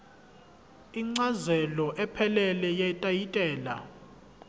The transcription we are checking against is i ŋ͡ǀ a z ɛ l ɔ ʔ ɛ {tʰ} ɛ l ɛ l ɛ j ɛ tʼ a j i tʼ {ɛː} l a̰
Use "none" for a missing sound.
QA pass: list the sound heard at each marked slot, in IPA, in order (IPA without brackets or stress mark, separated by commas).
pʰ, ɛː